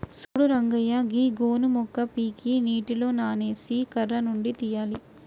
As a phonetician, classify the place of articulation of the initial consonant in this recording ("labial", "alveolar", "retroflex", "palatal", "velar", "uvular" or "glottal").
alveolar